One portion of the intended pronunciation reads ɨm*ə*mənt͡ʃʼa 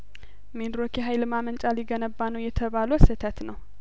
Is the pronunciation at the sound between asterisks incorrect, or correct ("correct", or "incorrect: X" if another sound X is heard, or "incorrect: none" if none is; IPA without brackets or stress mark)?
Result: incorrect: a